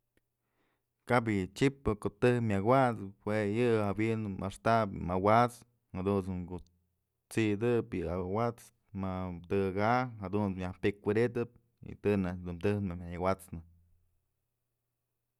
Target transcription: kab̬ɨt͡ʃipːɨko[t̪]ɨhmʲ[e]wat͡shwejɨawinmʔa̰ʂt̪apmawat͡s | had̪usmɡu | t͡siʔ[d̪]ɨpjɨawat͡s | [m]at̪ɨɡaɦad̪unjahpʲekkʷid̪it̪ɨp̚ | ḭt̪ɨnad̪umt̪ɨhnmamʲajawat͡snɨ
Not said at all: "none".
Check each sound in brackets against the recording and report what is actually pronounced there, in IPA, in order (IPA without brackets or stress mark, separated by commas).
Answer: t̪, a, d̪, m